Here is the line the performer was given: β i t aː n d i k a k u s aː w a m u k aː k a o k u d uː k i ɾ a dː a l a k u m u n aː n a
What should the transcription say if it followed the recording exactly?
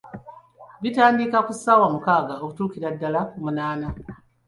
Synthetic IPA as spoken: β i t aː n d i k a k u s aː w a m u k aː ɡ a o k u t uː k i ɾ a dː a l a k u m u n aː n a